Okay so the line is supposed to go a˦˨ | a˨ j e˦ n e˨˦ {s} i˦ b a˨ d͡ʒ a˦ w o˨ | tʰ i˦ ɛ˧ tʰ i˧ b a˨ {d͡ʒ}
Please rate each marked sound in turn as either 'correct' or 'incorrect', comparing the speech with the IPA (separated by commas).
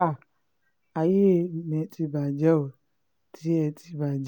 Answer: incorrect, correct